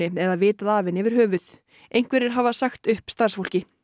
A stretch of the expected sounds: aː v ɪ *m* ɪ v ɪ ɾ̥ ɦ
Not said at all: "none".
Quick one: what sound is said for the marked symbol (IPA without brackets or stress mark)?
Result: n